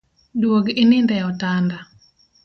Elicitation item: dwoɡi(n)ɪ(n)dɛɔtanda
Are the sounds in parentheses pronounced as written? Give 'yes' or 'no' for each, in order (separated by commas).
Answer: yes, yes